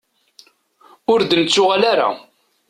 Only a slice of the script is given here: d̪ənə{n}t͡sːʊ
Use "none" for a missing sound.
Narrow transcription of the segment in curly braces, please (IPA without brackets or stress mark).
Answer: none